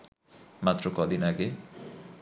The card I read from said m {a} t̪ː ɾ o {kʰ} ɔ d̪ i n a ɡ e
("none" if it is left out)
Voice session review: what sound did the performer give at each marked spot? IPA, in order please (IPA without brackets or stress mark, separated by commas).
a, k